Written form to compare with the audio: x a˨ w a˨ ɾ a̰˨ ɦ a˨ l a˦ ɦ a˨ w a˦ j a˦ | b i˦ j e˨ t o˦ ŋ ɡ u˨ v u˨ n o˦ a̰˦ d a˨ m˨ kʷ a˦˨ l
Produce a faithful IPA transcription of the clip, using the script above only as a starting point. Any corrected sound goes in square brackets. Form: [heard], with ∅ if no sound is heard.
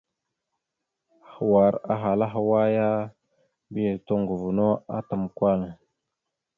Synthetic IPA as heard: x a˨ w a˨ ɾ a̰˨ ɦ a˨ l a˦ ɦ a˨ w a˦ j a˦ | b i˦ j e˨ t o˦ ŋ ɡ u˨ v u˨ n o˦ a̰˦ [t] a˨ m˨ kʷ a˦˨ l